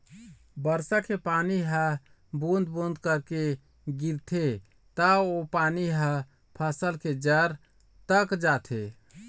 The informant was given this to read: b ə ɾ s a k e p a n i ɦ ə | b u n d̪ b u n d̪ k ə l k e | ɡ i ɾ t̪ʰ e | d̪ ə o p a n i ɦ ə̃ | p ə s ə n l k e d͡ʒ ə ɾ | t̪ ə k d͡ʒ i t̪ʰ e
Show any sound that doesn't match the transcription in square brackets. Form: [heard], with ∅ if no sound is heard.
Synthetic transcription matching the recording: b ə ɾ s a k e p a n i ɦ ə | b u n d̪ b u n d̪ k ə [ɾ] k e | ɡ i ɾ t̪ʰ e | [t̪] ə o p a n i ɦ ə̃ | [pʰ] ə s ə [∅] l k e d͡ʒ ə ɾ | t̪ ə k d͡ʒ [a] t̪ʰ e